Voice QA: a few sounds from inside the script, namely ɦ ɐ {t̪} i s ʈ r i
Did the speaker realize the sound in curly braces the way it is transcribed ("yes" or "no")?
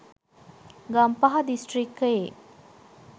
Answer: no